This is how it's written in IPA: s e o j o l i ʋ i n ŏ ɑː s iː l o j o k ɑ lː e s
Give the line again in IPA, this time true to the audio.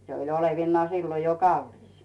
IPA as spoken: s e o i o l e ʋ i nː ŏ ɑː s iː l o j o k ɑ lː i s